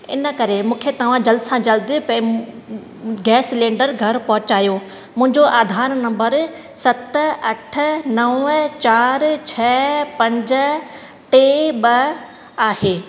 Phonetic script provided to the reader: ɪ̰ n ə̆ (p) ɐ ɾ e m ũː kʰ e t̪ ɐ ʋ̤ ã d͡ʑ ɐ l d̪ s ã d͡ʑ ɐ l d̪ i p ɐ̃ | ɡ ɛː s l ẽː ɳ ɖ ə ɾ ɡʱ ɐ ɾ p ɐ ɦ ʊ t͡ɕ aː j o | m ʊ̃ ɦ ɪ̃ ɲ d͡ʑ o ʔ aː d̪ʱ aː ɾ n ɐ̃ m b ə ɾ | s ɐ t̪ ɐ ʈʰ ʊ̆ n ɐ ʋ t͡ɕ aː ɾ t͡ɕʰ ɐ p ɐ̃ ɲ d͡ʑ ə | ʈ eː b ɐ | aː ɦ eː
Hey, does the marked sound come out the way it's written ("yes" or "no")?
no